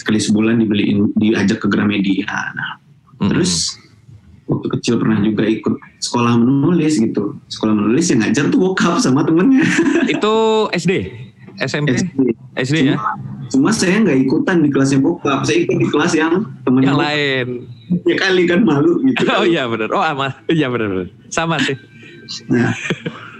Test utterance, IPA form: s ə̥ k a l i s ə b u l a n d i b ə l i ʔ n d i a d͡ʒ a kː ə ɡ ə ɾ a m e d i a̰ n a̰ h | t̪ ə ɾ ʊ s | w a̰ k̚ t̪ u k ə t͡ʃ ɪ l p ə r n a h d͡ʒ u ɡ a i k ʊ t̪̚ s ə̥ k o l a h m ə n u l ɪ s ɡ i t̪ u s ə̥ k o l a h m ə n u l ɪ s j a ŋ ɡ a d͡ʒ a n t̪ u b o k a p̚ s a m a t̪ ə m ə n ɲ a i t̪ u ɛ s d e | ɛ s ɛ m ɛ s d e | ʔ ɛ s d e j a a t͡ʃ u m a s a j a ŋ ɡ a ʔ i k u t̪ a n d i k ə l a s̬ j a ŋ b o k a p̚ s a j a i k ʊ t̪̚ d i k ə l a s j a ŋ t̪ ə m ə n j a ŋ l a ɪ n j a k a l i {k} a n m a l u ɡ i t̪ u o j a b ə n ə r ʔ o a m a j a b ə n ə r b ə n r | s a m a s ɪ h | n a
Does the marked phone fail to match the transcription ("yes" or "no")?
no